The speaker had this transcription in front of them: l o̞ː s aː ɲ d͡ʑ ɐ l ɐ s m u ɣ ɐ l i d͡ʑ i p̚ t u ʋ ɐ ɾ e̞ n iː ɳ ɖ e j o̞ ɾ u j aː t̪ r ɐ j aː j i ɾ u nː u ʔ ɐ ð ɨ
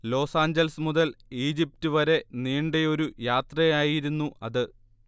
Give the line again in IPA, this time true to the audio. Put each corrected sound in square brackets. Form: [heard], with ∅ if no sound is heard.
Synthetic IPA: l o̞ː s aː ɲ d͡ʑ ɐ l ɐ s m u [ð] ɐ l [iː] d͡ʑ i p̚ t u ʋ ɐ ɾ e̞ n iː ɳ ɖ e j o̞ ɾ u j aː t̪ r ɐ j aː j i ɾ u nː u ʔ ɐ ð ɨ